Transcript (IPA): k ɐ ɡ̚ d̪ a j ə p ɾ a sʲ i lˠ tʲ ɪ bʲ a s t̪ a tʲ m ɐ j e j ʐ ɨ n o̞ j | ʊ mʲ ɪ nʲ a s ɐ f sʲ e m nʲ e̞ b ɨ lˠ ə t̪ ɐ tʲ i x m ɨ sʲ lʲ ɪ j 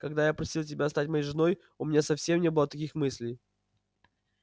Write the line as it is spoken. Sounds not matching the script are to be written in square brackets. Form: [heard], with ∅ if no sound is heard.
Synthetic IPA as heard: k ɐ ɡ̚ d̪ a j [a] p ɾ [ɐ] sʲ i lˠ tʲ ɪ bʲ a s t̪ a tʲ m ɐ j e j ʐ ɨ n o̞ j | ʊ mʲ ɪ nʲ a s ɐ f sʲ e m nʲ e̞ b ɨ lˠ ə t̪ ɐ [kʲ] i x m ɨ sʲ lʲ ɪ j